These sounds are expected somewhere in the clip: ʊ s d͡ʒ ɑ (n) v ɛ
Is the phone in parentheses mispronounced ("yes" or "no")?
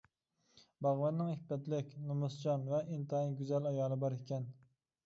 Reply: no